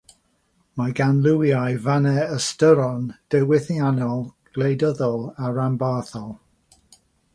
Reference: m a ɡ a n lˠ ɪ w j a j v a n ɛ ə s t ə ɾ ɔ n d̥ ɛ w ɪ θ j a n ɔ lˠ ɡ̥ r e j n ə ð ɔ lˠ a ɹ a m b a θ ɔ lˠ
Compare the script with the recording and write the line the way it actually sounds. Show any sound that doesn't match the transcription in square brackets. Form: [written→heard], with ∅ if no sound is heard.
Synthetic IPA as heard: m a ɡ a n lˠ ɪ w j a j v a n ɛ ə s t ə ɾ ɔ n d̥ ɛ w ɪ θ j a n ɔ lˠ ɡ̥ [r→l] e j [n→d] ə ð ɔ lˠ a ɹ a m b a θ ɔ lˠ